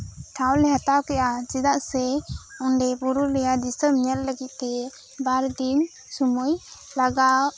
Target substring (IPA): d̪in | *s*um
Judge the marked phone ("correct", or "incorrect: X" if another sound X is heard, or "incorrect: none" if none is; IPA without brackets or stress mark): correct